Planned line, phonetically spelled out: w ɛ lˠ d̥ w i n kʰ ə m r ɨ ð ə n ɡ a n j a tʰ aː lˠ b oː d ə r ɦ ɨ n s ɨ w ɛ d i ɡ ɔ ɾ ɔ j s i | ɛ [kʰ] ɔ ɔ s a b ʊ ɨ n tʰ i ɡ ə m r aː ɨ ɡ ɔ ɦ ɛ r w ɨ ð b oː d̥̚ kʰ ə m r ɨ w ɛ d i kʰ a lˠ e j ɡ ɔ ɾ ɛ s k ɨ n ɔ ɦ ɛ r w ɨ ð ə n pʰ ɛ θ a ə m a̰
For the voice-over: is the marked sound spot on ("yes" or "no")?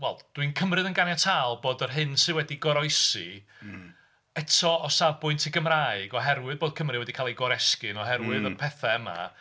no